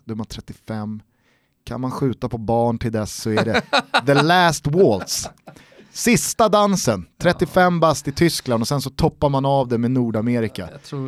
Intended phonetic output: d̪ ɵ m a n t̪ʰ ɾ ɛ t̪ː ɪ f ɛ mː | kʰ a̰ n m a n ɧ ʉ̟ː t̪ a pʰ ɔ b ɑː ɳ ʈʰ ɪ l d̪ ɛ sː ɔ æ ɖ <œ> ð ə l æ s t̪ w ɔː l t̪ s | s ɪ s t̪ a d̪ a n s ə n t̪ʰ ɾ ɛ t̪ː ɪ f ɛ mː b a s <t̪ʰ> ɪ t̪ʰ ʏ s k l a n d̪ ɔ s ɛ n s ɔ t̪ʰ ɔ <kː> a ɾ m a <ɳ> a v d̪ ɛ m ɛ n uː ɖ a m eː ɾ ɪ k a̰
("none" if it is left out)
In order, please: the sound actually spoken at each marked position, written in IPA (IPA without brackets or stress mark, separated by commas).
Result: ɛ, t̪, pː, n